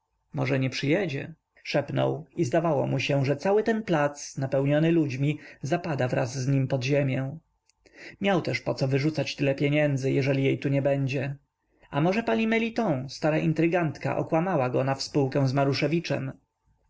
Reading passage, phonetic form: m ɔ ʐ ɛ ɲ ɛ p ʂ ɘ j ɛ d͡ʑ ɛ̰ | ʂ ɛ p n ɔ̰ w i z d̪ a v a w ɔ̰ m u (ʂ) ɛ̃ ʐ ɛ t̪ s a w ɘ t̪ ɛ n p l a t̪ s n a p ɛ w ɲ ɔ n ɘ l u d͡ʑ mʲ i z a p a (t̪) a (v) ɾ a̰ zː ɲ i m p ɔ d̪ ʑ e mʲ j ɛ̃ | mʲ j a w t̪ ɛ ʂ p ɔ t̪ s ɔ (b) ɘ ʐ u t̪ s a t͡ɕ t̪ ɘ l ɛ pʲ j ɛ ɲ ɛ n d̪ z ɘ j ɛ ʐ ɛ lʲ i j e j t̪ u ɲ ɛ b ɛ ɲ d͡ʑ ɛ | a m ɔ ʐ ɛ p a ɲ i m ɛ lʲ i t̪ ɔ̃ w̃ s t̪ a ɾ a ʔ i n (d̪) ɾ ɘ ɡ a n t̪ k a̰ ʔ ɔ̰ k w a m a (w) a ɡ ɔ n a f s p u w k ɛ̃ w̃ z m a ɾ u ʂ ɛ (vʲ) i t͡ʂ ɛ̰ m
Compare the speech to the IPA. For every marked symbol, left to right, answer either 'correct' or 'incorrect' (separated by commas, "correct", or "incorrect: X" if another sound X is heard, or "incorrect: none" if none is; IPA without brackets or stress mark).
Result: incorrect: ɕ, incorrect: d̪, correct, incorrect: v, incorrect: t̪, correct, correct